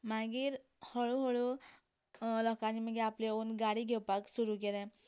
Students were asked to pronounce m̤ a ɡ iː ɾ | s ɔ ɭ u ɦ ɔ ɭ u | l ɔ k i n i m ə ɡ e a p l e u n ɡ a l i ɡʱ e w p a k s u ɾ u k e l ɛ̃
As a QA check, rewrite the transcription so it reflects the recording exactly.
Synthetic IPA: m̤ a ɡ iː ɾ | h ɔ ɭ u ɦ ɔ ɭ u | l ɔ k a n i m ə ɡ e a p l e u n ɡ a ɽ i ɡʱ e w p a k s u ɾ u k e l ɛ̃